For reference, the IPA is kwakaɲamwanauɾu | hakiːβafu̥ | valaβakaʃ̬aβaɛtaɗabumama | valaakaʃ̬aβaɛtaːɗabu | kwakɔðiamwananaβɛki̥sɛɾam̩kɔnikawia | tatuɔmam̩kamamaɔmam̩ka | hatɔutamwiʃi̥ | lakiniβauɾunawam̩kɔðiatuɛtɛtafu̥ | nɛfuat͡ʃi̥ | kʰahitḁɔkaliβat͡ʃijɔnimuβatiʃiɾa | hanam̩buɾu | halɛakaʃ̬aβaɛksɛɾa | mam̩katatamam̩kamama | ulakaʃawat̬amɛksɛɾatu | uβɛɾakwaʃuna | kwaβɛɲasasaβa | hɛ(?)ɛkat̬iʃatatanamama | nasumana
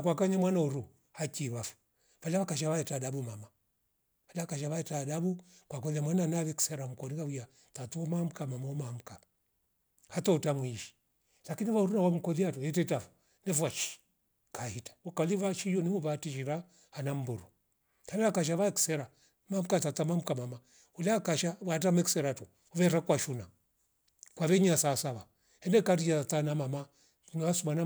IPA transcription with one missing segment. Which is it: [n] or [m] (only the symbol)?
n